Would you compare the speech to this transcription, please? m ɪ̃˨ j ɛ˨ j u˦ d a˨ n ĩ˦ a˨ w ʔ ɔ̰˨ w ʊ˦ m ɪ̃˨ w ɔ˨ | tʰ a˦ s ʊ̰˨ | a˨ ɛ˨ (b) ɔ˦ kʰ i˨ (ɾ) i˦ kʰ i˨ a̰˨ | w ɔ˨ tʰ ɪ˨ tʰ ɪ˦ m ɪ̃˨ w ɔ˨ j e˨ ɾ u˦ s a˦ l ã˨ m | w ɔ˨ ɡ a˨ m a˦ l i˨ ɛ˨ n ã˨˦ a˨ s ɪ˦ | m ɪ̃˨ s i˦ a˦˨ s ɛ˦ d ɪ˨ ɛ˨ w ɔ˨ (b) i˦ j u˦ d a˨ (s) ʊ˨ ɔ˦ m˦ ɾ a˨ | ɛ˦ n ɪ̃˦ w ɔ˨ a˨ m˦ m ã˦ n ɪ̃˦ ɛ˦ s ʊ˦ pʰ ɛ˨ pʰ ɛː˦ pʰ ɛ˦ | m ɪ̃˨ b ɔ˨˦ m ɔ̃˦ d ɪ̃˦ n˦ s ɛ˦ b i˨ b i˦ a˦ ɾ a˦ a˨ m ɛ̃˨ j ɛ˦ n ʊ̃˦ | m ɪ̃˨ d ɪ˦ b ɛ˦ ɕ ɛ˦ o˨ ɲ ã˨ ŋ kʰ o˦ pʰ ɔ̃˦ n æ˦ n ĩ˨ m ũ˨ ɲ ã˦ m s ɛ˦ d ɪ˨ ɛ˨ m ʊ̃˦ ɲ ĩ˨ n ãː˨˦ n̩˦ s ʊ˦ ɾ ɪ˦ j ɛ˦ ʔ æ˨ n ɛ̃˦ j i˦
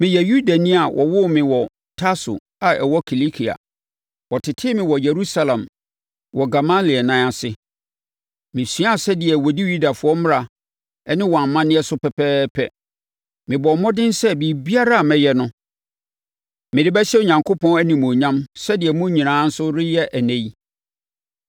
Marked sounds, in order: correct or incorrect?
incorrect, incorrect, incorrect, incorrect

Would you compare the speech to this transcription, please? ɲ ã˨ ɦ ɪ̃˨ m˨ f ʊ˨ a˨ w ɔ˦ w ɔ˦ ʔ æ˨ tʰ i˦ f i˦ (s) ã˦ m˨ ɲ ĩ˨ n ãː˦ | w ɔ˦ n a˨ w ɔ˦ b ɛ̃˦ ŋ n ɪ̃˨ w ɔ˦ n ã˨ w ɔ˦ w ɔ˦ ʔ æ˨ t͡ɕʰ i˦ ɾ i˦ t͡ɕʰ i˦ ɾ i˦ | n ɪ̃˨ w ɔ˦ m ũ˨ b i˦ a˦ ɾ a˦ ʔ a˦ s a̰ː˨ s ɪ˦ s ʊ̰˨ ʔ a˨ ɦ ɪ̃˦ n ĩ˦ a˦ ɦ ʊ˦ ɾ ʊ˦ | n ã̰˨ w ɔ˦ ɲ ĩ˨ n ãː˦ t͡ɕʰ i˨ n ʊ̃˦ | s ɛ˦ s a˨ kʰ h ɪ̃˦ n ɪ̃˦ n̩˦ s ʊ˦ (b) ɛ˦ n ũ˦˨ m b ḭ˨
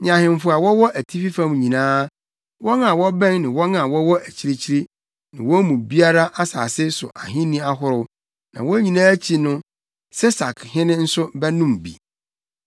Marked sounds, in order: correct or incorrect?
incorrect, correct

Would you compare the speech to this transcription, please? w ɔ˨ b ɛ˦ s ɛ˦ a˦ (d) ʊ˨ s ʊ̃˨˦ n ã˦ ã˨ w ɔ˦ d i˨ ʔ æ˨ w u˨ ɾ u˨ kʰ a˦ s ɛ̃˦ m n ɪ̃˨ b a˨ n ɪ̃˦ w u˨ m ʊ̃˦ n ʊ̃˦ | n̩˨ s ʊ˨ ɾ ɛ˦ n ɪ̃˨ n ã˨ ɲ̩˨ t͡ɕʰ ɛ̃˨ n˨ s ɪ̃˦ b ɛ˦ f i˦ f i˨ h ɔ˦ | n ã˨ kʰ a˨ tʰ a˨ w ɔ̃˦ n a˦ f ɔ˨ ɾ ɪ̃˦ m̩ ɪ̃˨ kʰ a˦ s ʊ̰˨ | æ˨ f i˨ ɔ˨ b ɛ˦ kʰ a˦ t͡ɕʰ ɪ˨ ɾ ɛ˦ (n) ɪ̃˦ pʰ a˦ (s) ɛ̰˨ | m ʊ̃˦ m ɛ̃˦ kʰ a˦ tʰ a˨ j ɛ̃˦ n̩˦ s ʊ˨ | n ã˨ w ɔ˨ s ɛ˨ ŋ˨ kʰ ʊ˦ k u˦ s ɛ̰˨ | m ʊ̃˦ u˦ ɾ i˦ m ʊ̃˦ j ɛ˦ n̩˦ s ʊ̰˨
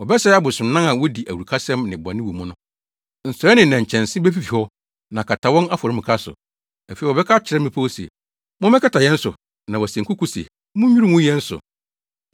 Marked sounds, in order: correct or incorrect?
incorrect, incorrect, correct

